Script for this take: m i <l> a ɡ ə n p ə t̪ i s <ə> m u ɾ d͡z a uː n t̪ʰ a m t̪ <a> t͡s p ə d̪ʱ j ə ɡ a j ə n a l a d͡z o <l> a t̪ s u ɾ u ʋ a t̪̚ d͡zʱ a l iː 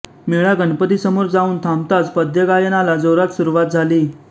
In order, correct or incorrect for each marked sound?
incorrect: ɭ, correct, correct, incorrect: ɾ

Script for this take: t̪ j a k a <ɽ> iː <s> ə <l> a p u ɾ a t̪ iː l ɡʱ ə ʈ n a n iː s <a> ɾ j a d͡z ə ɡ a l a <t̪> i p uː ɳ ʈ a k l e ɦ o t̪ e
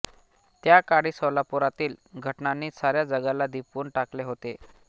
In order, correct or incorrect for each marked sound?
correct, correct, correct, correct, incorrect: d̪

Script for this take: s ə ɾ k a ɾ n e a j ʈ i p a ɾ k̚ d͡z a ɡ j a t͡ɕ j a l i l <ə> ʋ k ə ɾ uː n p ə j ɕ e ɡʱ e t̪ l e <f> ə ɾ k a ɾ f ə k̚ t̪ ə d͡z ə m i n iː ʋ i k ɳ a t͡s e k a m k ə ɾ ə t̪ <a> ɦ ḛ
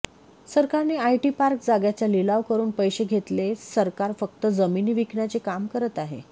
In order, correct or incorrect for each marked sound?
incorrect: a, incorrect: s, correct

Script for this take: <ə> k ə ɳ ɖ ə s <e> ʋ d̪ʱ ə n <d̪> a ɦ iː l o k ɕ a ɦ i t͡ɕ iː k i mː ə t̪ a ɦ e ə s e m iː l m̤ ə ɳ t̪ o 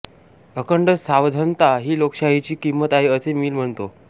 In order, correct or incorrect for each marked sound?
correct, incorrect: a, incorrect: t̪

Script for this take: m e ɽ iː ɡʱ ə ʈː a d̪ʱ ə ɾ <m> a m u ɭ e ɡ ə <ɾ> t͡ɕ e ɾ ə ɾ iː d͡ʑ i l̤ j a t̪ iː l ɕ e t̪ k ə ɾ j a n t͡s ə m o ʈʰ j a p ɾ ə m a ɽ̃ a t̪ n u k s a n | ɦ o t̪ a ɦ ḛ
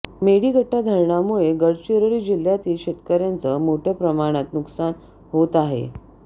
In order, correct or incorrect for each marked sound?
incorrect: ɳ, incorrect: ɽ

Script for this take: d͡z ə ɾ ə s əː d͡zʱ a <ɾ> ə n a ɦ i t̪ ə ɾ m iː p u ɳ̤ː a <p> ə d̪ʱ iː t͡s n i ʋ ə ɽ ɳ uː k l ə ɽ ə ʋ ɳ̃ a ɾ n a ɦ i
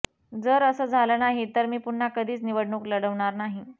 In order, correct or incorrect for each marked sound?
incorrect: l, incorrect: k

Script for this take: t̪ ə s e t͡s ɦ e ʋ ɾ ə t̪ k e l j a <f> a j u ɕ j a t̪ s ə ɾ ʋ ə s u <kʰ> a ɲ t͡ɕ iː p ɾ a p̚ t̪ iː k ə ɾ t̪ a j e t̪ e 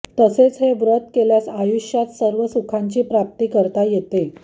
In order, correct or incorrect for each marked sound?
incorrect: s, correct

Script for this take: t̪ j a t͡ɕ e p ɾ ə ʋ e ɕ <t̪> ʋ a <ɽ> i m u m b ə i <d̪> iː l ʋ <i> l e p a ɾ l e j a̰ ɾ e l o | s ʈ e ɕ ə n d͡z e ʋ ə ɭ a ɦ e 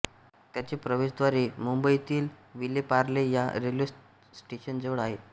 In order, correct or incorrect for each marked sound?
incorrect: d̪, incorrect: ɾ, incorrect: t̪, correct

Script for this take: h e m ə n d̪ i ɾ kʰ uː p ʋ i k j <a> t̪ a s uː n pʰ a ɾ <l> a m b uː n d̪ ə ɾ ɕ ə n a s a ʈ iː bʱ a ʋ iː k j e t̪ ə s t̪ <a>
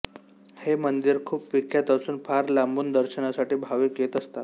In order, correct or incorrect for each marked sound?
correct, correct, correct

